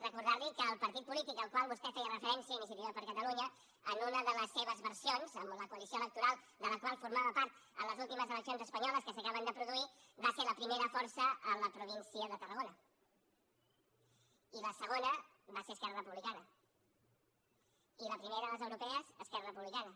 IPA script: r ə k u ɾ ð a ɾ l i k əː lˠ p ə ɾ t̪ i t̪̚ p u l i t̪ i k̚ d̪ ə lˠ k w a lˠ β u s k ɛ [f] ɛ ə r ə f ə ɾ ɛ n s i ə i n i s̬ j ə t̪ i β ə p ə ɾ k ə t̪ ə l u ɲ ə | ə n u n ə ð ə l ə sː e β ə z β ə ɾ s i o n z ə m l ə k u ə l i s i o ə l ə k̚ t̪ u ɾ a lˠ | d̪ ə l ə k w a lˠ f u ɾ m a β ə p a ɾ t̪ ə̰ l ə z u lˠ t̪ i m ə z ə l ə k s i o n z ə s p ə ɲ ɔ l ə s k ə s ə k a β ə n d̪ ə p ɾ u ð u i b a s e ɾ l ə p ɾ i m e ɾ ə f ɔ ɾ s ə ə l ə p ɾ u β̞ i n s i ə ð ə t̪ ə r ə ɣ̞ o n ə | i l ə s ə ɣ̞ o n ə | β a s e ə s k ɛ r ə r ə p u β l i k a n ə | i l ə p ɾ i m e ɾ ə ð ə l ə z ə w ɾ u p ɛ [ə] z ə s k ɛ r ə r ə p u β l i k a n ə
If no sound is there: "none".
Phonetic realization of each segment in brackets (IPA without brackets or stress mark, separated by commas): f, ə